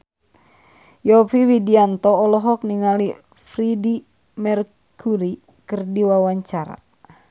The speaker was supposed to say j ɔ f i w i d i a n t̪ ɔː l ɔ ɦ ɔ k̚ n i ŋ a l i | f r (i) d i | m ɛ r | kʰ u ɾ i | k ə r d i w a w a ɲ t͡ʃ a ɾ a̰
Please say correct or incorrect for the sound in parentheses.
correct